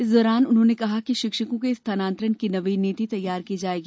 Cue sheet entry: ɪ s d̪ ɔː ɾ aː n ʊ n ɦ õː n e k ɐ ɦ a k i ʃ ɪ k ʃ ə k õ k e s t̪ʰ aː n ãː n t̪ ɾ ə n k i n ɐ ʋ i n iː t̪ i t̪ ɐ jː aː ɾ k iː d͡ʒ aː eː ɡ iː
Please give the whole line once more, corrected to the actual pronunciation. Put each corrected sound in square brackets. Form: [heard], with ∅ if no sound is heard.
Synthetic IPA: ɪ s d̪ ɔː ɾ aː n ʊ n ɦ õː n e k ɐ ɦ a k i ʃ ɪ k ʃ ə k õ k e s t̪ʰ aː n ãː n t̪ ɾ ə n k i n ɐ ʋ i n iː t̪ i t̪ ɐ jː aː ɾ k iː d͡ʒ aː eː ɡ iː